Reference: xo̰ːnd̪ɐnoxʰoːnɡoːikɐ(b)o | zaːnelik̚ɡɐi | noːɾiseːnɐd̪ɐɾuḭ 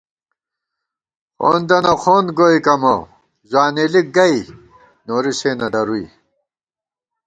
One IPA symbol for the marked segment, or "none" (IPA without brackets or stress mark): m